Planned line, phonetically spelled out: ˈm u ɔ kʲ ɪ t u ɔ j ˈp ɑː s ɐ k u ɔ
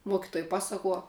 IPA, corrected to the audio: ˈm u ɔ kʲ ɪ t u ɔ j ˈp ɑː s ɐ k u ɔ